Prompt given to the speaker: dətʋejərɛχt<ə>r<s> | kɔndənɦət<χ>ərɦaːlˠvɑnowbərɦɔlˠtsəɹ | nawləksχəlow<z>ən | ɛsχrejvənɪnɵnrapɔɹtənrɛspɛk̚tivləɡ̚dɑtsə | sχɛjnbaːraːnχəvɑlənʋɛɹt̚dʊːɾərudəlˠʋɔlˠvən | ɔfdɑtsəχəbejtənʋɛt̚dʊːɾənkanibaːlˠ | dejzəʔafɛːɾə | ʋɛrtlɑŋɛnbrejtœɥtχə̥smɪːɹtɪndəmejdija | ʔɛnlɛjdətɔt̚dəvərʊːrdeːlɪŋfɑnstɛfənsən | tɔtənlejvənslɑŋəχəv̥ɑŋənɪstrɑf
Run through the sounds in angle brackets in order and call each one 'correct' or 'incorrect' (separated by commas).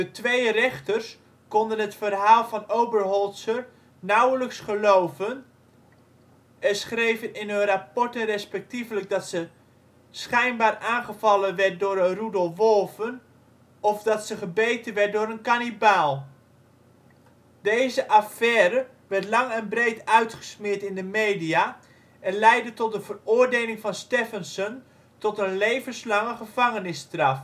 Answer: correct, correct, incorrect, incorrect